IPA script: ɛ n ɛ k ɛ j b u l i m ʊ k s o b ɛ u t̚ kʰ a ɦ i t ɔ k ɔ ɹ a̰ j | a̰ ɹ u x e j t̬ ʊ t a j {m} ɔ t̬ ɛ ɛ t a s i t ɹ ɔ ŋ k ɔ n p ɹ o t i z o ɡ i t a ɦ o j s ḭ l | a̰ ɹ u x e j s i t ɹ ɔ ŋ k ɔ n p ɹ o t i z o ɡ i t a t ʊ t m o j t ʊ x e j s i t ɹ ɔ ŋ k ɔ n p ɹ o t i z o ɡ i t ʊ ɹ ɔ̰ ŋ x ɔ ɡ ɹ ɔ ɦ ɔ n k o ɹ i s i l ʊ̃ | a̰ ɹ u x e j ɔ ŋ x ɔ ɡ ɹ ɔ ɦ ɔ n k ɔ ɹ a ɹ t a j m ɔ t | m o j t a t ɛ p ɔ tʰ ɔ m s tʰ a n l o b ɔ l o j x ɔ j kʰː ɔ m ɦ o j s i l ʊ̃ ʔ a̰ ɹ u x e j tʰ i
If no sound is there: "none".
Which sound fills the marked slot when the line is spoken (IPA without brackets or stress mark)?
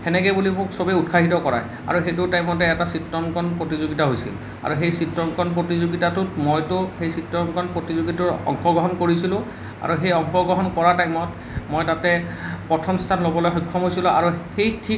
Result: m